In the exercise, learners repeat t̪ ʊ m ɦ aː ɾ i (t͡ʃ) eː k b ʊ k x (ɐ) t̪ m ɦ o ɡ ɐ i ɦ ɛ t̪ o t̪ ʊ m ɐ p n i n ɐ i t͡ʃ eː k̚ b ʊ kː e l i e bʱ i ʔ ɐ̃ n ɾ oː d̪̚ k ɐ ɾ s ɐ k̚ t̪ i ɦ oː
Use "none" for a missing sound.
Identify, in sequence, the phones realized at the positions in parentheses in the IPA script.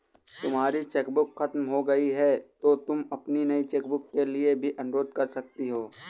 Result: t͡ʃ, ɐ

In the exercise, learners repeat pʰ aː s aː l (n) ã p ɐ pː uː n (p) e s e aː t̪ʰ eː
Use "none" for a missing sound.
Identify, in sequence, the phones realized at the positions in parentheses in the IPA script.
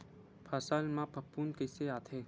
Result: m, k

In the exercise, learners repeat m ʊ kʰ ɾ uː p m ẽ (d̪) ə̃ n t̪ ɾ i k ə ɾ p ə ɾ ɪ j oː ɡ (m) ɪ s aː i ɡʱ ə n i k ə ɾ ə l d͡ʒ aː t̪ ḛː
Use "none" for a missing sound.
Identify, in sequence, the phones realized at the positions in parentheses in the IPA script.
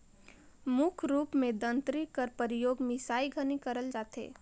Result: d̪, m

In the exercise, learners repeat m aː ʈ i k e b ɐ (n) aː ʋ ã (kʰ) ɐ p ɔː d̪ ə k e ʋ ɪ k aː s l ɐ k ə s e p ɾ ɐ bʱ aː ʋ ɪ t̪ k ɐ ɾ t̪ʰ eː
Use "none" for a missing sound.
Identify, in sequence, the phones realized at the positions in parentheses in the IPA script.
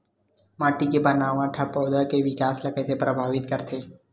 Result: n, ʈʰ

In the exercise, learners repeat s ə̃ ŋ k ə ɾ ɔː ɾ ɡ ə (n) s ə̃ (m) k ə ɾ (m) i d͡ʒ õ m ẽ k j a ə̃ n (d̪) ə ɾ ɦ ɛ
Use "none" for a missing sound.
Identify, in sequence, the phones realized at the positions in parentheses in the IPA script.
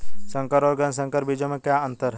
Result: n, ŋ, b, t̪

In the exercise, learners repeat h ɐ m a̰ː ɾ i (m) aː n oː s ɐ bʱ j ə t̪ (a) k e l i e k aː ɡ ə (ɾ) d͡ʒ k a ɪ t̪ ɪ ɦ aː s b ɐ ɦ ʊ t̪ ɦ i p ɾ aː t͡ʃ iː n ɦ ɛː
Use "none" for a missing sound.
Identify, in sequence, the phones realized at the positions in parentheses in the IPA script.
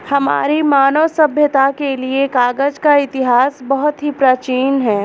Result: m, a, none

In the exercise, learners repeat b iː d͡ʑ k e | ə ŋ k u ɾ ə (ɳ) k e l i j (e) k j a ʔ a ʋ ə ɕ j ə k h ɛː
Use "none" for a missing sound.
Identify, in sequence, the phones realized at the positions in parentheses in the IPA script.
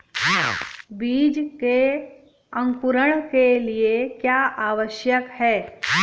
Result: ɳ, e

